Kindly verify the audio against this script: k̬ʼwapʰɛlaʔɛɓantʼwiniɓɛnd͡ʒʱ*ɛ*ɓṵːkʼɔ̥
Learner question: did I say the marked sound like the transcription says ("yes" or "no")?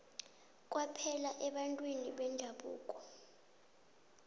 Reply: no